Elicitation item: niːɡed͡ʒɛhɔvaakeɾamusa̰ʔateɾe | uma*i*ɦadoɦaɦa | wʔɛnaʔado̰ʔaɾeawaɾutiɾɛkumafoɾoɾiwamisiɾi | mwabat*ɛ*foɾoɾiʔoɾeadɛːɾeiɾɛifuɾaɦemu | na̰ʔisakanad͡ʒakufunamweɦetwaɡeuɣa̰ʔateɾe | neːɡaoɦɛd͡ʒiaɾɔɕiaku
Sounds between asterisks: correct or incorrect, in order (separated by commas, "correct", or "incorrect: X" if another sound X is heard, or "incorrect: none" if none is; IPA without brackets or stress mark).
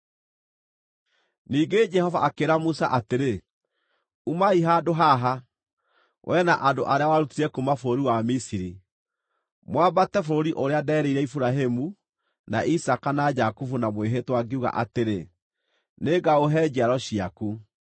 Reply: correct, correct